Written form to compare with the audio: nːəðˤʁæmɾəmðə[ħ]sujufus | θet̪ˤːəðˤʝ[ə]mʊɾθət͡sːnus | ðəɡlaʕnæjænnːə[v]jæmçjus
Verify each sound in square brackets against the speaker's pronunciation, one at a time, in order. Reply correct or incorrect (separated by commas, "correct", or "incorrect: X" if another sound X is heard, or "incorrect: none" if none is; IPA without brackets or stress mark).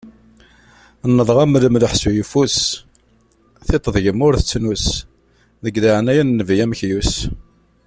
correct, correct, correct